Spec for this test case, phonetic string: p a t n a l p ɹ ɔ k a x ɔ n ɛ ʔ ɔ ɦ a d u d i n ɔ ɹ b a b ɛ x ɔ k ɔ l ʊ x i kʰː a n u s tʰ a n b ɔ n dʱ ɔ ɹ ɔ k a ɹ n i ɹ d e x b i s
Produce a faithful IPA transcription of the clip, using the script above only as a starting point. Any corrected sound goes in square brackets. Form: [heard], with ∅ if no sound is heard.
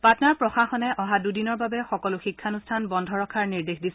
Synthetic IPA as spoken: p a t n a [ɹ] p ɹ ɔ [x] a x ɔ n ɛ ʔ ɔ ɦ a d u d i n ɔ ɹ b a b ɛ x ɔ k ɔ l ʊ x i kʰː a n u s tʰ a n b ɔ n dʱ ɔ ɹ ɔ [kʰ] a ɹ n i ɹ d e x [d] i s